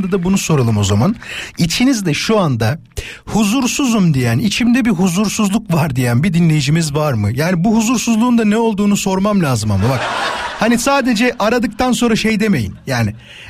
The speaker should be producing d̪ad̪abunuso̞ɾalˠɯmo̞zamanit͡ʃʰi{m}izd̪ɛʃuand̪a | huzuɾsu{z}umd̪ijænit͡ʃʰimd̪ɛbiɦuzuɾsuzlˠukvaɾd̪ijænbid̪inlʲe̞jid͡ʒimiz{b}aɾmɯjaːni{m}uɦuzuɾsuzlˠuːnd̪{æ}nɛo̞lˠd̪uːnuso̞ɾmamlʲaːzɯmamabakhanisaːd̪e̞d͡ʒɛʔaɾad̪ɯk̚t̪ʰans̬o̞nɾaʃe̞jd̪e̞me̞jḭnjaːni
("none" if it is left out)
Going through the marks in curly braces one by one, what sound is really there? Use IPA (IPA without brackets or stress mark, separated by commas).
n, z, v, b, a